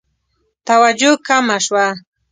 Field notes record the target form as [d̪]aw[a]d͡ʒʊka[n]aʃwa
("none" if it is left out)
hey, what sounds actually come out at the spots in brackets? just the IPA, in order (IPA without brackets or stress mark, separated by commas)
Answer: t̪, a, m